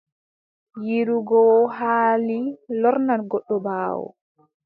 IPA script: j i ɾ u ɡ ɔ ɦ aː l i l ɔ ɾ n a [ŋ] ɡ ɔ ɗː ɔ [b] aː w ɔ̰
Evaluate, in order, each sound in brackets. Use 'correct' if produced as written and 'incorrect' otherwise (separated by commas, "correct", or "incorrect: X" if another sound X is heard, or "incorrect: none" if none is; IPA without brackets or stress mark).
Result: incorrect: n, correct